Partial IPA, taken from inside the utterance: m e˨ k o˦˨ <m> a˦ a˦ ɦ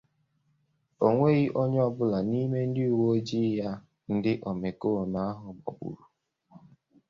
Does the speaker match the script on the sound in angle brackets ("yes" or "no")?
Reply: no